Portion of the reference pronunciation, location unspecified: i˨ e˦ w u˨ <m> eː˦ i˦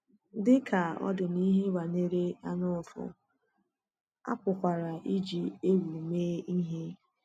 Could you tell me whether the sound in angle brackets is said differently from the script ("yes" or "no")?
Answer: no